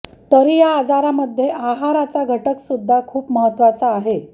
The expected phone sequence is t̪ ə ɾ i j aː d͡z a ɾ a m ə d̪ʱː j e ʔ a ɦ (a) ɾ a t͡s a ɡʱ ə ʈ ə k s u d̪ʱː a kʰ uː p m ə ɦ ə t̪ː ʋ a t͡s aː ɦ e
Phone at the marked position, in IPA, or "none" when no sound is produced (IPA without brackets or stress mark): a